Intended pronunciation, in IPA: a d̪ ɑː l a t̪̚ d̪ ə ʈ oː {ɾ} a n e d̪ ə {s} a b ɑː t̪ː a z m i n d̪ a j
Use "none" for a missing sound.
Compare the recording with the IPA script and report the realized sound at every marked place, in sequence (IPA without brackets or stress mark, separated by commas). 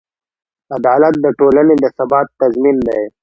l, s